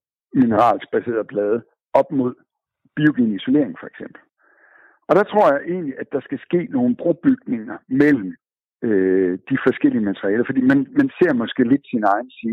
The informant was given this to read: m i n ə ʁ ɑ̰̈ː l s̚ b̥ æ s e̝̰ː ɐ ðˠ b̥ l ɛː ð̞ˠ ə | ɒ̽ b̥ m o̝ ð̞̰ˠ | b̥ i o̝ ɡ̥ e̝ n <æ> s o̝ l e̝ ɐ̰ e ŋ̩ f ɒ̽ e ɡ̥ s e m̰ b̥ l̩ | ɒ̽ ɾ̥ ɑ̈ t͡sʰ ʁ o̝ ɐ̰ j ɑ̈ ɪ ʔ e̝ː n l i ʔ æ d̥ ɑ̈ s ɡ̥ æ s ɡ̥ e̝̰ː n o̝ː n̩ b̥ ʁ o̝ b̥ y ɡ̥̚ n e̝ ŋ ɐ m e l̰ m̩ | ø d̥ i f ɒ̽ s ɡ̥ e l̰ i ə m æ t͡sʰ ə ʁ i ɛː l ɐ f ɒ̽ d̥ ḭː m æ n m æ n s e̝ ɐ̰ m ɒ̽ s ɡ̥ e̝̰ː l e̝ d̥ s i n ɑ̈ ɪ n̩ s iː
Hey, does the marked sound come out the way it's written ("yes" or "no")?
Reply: no